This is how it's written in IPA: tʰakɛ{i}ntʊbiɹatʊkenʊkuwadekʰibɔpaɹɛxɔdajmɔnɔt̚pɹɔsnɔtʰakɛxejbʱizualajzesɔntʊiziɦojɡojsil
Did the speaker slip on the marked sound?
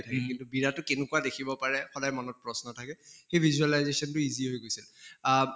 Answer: no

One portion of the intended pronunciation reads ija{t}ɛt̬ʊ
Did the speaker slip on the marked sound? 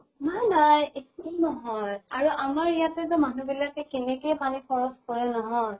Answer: no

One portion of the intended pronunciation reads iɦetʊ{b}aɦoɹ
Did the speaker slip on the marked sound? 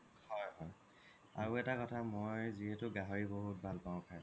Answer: yes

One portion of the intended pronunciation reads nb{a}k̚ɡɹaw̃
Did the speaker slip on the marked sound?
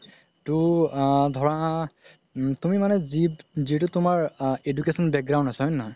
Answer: yes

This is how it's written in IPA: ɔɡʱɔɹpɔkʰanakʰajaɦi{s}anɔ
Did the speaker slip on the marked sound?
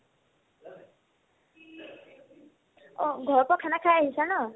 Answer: no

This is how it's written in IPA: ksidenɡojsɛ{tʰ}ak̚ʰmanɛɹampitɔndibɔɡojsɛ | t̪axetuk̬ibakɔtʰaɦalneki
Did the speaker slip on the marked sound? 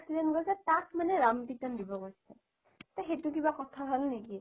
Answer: yes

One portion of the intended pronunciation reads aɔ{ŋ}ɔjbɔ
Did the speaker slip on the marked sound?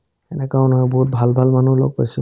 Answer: yes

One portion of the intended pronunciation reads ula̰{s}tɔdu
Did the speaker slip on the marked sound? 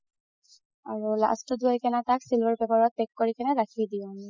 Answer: no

